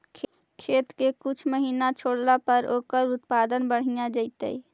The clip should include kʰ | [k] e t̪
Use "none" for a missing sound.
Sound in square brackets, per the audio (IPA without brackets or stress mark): kʰ